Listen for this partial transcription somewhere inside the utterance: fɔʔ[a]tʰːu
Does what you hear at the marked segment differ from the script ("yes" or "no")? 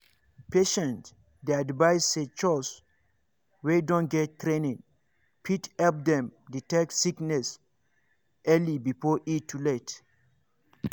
yes